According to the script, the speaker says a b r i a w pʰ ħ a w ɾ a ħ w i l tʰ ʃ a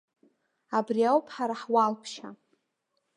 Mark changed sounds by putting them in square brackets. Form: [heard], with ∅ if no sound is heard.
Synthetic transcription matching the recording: a b r i a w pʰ ħ a [∅] ɾ a ħ w [a] l [pʰ] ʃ a